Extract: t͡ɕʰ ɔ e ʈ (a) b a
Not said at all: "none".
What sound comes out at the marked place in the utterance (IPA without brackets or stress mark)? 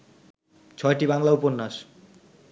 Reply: i